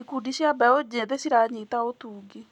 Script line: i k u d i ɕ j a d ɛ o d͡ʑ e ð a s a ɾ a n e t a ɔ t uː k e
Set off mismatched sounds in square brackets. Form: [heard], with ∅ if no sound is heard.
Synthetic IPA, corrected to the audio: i k u d i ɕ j a [b] ɛ o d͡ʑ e ð [e] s [i] ɾ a [ɲ] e t a [o] t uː [ɡ] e